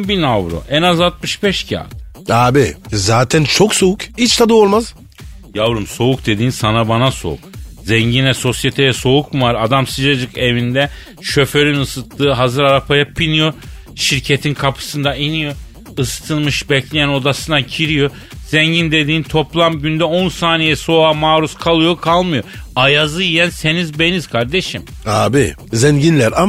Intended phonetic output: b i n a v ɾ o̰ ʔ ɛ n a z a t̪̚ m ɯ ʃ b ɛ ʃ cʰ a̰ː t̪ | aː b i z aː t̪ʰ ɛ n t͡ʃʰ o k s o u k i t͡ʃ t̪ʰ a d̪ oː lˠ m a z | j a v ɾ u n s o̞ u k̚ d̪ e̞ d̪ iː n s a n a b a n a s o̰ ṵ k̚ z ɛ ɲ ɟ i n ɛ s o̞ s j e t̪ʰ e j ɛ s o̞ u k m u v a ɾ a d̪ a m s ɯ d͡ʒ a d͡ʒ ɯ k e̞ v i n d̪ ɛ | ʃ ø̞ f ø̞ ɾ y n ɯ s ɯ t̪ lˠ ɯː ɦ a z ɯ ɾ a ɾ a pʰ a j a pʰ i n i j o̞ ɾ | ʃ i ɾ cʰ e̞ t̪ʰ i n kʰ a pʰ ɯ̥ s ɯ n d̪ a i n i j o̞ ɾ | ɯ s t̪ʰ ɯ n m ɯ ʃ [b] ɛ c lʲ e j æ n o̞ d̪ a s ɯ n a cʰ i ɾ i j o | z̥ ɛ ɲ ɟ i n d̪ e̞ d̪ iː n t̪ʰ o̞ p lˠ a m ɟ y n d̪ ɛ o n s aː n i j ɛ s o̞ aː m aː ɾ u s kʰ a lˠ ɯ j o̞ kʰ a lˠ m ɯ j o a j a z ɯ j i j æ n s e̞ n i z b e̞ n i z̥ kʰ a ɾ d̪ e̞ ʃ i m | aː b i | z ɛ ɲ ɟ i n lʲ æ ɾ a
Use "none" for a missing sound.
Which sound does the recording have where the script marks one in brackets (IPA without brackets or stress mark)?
b